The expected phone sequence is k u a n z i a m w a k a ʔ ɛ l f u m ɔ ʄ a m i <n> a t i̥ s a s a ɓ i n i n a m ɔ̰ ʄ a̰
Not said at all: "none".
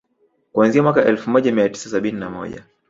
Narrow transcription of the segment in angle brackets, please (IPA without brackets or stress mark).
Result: none